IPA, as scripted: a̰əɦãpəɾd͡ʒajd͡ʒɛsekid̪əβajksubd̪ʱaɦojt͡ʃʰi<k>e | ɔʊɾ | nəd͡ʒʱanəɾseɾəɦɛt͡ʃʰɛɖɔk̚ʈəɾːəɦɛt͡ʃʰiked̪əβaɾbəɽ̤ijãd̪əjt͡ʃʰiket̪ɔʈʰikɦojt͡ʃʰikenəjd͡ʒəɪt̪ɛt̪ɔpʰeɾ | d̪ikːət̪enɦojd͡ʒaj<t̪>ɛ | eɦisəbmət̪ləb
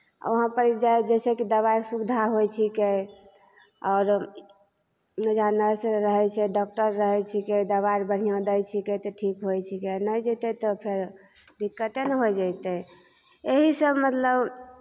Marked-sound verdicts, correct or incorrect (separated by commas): correct, correct